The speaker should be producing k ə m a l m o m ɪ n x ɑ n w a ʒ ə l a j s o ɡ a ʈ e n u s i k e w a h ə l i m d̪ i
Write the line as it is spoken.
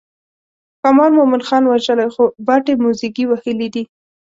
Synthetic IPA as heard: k a m ɑ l m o m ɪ n x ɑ n w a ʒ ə l a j x o b a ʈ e m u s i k i w a h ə l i d̪ i